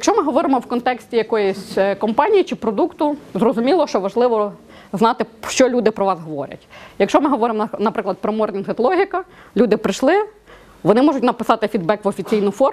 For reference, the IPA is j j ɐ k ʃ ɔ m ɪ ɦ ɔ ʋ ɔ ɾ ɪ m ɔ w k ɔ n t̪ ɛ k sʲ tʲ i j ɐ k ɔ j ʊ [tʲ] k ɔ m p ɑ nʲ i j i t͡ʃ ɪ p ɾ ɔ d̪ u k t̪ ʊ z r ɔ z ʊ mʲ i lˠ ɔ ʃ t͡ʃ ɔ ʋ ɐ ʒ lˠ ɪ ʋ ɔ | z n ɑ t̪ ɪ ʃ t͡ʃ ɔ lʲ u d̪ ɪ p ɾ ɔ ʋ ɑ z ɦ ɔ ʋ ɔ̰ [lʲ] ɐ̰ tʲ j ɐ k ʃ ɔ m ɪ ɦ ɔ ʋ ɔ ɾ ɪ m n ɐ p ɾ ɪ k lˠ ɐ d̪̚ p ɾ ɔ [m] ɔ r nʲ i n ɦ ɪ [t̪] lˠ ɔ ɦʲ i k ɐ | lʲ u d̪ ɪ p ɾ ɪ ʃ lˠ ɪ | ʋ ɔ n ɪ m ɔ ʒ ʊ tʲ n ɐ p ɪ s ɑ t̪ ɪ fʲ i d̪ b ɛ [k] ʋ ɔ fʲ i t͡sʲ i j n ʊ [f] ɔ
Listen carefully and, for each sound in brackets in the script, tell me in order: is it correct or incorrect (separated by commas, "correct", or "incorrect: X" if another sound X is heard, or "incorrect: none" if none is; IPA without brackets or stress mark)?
incorrect: sʲ, incorrect: ɾʲ, correct, correct, correct, correct